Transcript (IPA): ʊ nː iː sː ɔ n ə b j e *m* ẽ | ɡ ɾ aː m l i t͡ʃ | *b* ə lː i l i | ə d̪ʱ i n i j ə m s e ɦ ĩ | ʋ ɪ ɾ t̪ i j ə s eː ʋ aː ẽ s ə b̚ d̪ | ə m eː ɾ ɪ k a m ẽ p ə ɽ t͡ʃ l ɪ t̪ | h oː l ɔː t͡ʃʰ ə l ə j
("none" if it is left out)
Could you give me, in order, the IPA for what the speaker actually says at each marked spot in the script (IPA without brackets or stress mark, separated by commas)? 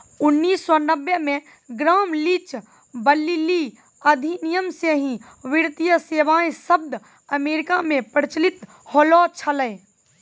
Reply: m, b